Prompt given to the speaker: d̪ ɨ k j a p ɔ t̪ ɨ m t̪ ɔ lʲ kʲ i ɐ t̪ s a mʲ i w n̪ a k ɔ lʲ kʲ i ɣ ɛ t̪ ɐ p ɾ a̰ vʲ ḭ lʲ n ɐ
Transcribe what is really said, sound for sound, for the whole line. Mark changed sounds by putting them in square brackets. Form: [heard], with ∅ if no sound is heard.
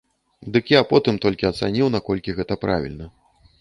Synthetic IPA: d̪ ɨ k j a p ɔ t̪ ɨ m t̪ ɔ lʲ kʲ i ɐ t̪ s a [nʲ] i w n̪ a k ɔ lʲ kʲ i ɣ ɛ t̪ ɐ p ɾ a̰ vʲ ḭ lʲ n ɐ